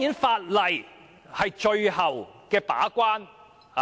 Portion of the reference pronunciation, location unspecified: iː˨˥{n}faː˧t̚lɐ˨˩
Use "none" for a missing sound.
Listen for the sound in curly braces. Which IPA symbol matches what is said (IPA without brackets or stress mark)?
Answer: n